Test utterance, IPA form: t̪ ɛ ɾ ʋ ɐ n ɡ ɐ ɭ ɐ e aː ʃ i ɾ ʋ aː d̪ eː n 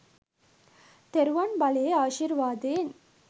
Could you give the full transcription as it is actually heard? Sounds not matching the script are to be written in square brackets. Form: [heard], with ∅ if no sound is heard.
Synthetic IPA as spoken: t̪ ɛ ɾ ʋ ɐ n [b] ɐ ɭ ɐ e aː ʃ i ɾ ʋ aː d̪ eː n